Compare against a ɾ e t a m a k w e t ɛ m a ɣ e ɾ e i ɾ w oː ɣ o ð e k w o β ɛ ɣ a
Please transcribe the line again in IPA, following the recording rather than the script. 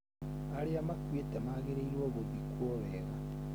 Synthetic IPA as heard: a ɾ e a m a k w e t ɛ m a ɣ e ɾ e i ɾ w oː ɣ o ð i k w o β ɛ ɣ a